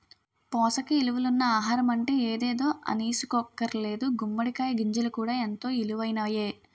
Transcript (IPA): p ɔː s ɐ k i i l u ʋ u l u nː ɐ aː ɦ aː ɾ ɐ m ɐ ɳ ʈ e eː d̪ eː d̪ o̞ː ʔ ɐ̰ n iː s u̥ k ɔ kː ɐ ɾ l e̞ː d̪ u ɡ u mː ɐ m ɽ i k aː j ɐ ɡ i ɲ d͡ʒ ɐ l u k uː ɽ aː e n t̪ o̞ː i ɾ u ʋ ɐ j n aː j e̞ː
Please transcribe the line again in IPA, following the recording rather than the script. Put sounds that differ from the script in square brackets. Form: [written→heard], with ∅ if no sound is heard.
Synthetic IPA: p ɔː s ɐ k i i l u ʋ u l u nː ɐ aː ɦ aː ɾ ɐ m ɐ ɳ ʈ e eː d̪ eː d̪ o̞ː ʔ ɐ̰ n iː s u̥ k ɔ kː ɐ ɾ l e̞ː d̪ u ɡ u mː ɐ [m→∅] ɽ i k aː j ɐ ɡ i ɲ d͡ʒ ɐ l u k uː ɽ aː e n t̪ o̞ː i [ɾ→l] u ʋ ɐ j n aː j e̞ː

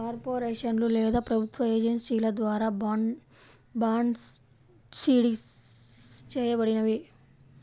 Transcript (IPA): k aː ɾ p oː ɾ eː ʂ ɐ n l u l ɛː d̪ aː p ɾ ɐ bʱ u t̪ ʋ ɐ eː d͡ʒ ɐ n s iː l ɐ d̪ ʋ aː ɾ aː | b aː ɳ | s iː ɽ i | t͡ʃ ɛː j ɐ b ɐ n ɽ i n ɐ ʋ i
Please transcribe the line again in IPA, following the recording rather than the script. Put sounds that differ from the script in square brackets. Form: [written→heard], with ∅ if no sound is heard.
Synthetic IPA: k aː ɾ p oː ɾ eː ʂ ɐ n l u l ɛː d̪ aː p ɾ ɐ bʱ u t̪ ʋ ɐ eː d͡ʒ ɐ n s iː l ɐ d̪ ʋ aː ɾ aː | b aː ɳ | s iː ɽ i | t͡ʃ ɛː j ɐ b ɐ [n→∅] ɽ i n ɐ ʋ i

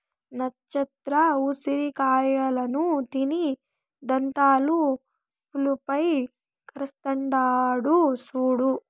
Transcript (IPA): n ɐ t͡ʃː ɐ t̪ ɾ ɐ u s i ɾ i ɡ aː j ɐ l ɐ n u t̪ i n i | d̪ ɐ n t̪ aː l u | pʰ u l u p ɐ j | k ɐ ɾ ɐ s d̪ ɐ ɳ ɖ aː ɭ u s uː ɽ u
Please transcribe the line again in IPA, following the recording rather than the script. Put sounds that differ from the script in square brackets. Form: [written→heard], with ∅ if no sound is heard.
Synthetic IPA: n ɐ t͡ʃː ɐ t̪ ɾ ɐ u s i ɾ i [ɡ→k] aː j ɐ l ɐ n u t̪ i n i | d̪ ɐ n t̪ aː l u | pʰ u l u p ɐ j | k ɐ ɾ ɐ s [d̪→t̪] ɐ ɳ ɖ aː [ɭ→ɽ] u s uː ɽ u

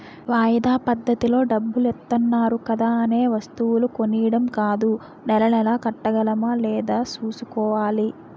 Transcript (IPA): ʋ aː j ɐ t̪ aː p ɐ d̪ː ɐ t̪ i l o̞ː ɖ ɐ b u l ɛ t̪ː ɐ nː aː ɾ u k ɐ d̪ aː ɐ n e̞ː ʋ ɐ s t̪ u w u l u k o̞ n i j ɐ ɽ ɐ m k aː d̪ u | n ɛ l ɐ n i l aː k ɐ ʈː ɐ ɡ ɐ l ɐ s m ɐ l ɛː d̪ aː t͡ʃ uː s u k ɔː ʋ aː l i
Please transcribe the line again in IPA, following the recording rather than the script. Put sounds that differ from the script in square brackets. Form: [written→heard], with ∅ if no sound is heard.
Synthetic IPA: ʋ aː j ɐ [t̪→d̪] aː p ɐ d̪ː ɐ t̪ i l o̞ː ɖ ɐ [b→bː] u l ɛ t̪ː ɐ nː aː ɾ u k ɐ d̪ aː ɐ n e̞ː ʋ ɐ s t̪ u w u l u k o̞ n i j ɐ ɽ ɐ m k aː d̪ u | n ɛ l ɐ n [i→ɛ] l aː k ɐ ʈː ɐ ɡ ɐ l ɐ [s→∅] m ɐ l ɛː d̪ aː t͡ʃ uː s u k ɔː ʋ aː l i

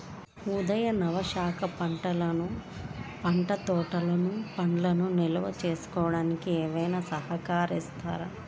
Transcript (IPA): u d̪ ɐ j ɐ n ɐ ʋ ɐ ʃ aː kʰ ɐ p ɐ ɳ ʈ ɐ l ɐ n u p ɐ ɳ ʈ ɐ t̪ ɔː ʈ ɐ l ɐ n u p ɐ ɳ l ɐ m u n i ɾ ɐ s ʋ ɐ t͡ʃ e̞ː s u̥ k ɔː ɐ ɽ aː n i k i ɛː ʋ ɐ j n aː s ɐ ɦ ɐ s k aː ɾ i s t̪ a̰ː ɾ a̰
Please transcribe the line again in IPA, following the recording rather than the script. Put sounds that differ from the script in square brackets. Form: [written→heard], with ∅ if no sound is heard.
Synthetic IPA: u d̪ ɐ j ɐ n ɐ ʋ ɐ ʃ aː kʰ ɐ p ɐ ɳ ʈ ɐ l ɐ n u p ɐ ɳ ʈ ɐ t̪ ɔː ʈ ɐ l ɐ n u p ɐ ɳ l ɐ [m→n] u n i [ɾ→l] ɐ [s→∅] ʋ ɐ t͡ʃ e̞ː s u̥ k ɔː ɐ ɽ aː n i k i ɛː ʋ ɐ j n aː s ɐ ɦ ɐ [s→∅] k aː ɾ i s t̪ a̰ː ɾ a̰

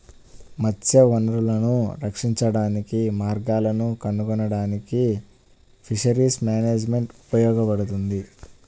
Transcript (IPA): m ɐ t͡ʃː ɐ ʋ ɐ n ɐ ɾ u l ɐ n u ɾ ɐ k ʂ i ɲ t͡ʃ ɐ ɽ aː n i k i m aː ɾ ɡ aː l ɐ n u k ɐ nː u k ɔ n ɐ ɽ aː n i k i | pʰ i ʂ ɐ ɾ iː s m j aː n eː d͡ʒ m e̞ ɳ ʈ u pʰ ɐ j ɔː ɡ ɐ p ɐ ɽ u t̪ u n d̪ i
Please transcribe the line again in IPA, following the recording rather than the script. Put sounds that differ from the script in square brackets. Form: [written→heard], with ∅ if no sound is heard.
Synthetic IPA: m ɐ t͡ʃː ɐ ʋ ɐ n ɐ ɾ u l ɐ n u ɾ ɐ k ʂ i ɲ t͡ʃ ɐ ɽ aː n i k i m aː ɾ ɡ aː l ɐ n u k ɐ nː u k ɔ n ɐ ɽ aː n i k i | pʰ i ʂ ɐ ɾ iː s m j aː n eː d͡ʒ m e̞ ɳ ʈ u [pʰ→p] ɐ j ɔː ɡ ɐ p ɐ ɽ u t̪ u n d̪ i

